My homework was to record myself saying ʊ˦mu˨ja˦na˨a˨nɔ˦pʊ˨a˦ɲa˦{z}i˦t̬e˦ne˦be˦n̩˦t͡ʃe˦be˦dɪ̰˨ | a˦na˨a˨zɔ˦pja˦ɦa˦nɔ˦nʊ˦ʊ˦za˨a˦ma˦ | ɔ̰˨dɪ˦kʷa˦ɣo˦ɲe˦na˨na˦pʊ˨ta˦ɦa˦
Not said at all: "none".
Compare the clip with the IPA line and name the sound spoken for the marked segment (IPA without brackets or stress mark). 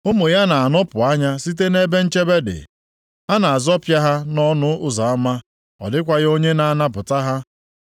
s